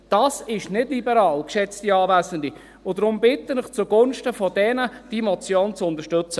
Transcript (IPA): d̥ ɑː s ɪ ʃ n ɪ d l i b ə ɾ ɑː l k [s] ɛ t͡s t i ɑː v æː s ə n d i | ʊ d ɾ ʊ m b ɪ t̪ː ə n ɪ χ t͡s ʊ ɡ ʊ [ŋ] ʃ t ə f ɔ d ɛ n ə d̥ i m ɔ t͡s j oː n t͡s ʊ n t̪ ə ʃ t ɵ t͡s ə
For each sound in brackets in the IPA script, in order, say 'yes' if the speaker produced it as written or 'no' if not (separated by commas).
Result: no, no